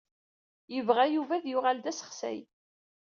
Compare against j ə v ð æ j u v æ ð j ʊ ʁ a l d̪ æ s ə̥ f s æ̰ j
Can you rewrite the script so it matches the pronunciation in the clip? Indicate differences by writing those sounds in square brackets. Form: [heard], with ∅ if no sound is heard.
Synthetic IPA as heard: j ə v [ʁ] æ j u v æ ð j ʊ ʁ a l d̪ æ s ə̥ [χ] s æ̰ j

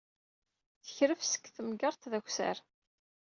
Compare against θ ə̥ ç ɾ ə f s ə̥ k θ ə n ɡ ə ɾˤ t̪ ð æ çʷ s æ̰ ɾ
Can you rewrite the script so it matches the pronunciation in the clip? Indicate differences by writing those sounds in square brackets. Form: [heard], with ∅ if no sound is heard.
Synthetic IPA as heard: θ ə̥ ç ɾ ə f s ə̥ k θ ə [m] ɡ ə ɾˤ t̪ ð æ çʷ s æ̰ ɾ

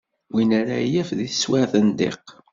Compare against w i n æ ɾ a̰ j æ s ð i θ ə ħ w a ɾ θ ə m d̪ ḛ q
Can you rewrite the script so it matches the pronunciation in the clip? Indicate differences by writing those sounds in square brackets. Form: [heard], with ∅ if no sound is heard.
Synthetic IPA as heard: w i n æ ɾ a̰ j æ [f] ð i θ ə [s] w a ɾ θ ə [n] d̪ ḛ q

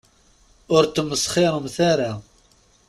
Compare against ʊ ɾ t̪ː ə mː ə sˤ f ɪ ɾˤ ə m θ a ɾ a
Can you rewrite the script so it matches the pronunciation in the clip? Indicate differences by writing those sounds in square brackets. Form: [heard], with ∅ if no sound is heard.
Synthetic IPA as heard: ʊ ɾ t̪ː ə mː ə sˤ [χ] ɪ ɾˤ ə m θ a ɾ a

